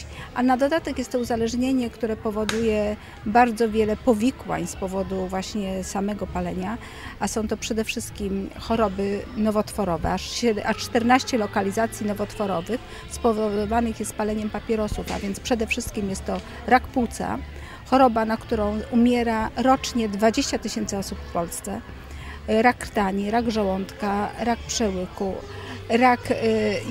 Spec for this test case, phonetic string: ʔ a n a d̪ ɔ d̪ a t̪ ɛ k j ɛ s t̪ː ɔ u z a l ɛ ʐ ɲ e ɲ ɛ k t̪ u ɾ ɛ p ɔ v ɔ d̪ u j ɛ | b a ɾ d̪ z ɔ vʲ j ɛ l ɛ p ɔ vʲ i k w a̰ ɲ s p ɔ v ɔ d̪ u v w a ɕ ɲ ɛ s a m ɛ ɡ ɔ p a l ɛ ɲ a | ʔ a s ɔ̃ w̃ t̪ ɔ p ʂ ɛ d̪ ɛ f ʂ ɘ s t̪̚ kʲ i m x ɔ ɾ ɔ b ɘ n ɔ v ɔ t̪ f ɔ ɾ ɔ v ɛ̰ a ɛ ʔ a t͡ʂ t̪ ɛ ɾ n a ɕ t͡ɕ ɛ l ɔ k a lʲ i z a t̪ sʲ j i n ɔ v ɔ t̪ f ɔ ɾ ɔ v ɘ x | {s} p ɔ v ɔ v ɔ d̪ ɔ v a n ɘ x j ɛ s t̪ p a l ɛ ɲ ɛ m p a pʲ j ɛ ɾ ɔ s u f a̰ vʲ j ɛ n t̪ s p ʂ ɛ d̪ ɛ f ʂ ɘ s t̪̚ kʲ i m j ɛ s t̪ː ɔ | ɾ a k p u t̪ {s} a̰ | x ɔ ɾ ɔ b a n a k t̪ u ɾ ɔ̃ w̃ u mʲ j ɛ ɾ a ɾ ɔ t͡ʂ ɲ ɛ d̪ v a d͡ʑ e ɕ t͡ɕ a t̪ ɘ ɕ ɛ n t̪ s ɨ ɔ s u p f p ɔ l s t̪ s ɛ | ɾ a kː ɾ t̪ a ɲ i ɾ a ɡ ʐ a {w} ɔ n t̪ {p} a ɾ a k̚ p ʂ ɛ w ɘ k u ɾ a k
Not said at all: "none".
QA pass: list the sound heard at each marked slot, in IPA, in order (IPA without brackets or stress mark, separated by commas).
s, s, w, k